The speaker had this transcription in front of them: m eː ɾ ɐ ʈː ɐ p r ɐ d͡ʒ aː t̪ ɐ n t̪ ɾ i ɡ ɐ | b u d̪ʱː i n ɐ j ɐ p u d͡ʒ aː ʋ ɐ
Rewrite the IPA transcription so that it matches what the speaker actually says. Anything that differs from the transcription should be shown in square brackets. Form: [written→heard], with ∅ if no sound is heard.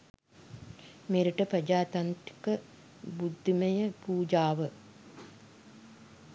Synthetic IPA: m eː ɾ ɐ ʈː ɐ p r ɐ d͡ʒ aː t̪ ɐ n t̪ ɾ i [ɡ→k] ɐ | b u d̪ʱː i [n→m] ɐ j ɐ p [u→uː] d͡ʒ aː ʋ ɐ